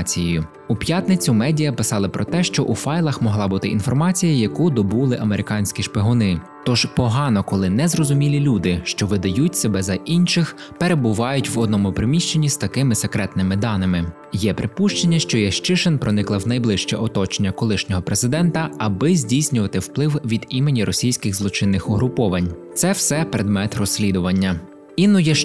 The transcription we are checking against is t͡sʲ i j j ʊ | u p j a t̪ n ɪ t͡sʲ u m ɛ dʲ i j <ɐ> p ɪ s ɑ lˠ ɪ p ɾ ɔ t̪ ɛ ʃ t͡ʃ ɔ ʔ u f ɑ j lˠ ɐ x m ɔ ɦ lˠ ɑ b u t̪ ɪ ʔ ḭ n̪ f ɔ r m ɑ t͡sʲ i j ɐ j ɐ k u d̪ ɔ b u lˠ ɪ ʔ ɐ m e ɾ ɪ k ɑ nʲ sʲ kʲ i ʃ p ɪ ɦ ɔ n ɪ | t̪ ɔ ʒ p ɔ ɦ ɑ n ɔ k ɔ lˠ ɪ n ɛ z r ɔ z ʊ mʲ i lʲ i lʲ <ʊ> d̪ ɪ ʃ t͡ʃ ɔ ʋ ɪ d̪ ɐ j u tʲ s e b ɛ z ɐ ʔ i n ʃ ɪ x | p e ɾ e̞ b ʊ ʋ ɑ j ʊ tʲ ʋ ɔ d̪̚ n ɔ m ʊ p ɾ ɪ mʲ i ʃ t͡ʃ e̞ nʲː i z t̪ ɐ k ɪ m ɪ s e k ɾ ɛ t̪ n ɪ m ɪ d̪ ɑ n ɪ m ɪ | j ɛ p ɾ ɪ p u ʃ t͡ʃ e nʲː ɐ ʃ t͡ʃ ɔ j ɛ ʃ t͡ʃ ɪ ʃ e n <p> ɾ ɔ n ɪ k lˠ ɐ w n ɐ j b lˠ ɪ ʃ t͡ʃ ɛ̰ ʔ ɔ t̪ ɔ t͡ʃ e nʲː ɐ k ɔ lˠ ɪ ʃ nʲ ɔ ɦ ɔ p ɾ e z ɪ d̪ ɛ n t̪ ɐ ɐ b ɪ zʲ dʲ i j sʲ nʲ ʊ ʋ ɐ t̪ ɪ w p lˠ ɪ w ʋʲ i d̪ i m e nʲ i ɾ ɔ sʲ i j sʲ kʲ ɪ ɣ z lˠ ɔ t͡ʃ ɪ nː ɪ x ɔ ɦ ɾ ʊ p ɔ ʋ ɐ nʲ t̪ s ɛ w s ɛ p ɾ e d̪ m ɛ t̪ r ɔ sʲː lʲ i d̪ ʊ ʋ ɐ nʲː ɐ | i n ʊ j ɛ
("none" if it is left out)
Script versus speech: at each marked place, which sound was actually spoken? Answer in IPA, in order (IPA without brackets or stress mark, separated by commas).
ɐ, u, p